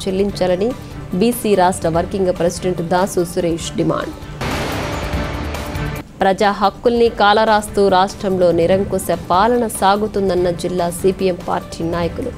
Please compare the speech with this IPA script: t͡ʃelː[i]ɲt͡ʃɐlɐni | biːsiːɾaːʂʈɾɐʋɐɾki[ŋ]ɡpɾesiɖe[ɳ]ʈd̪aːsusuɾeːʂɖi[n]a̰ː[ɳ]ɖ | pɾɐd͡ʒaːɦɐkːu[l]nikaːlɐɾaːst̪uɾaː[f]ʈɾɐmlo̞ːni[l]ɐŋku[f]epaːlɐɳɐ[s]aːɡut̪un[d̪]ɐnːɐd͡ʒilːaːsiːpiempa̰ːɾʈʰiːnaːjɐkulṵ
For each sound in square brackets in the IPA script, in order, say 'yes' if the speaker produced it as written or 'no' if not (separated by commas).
yes, yes, yes, no, yes, yes, no, no, no, yes, yes